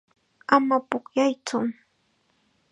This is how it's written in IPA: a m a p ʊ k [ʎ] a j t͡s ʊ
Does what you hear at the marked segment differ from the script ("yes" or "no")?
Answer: yes